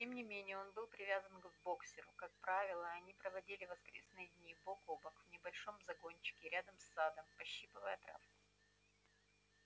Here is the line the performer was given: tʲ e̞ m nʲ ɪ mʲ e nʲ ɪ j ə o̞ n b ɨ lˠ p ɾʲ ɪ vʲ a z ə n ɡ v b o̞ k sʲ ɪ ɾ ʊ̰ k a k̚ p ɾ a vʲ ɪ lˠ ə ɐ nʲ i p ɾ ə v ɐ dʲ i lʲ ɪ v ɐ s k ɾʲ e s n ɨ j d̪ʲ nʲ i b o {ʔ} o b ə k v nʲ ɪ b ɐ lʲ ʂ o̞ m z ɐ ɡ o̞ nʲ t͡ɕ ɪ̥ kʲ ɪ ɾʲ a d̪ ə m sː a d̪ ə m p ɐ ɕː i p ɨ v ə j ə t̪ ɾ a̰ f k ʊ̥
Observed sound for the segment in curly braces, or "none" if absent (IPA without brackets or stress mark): k